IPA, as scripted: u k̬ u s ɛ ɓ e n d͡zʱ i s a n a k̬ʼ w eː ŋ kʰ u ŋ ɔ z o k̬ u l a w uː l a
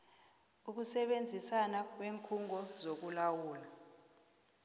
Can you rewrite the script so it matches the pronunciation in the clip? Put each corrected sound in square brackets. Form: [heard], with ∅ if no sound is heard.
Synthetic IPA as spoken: u k̬ u s ɛ ɓ e n d͡zʱ i s a n a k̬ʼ w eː ŋ kʰ u ŋ ɔ z o k̬ u l a w uː l a